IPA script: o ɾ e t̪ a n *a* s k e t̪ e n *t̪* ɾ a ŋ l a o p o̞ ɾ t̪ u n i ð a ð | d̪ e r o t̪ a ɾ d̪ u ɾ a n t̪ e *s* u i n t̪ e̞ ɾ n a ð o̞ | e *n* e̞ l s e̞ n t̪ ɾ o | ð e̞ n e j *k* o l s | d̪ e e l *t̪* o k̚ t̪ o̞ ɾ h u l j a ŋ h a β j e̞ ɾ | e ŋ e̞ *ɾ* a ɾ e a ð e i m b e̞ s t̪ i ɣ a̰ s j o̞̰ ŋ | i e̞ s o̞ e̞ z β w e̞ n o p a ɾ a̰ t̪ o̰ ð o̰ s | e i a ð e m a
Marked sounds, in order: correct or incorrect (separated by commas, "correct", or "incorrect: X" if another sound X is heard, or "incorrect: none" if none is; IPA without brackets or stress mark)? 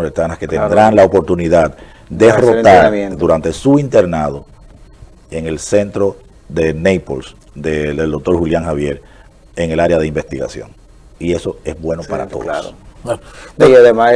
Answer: correct, incorrect: d̪, correct, incorrect: ŋ, incorrect: p, incorrect: d̪, incorrect: l